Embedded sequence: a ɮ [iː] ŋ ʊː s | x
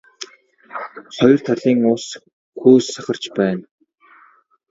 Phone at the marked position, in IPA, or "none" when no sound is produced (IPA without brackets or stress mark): iː